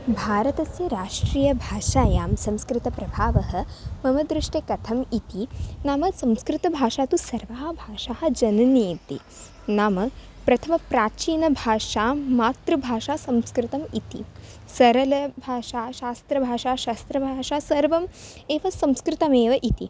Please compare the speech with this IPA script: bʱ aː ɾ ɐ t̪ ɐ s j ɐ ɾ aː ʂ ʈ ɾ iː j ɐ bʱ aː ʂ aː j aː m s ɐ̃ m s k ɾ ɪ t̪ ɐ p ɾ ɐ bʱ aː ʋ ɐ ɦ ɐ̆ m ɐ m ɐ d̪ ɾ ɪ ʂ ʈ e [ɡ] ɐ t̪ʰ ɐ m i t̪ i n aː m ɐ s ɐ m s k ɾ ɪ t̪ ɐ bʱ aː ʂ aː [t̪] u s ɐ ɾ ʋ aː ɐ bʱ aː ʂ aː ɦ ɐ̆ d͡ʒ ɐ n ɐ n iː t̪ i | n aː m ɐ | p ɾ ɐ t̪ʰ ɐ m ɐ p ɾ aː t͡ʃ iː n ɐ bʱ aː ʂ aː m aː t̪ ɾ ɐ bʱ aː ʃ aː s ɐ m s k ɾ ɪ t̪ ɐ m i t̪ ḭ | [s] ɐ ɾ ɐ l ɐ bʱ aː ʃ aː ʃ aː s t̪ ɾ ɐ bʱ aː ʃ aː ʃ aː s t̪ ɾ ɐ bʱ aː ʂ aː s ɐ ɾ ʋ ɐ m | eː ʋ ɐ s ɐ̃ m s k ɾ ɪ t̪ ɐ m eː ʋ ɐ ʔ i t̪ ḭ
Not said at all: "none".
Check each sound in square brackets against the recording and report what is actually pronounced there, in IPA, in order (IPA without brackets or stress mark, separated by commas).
k, t̪, s